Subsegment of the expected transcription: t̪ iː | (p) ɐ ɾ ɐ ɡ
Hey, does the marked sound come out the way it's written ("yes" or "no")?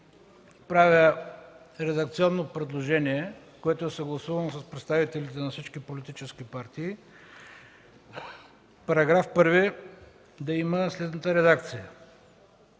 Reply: yes